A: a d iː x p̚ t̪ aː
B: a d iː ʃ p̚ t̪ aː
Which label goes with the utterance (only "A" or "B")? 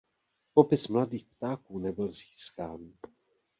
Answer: A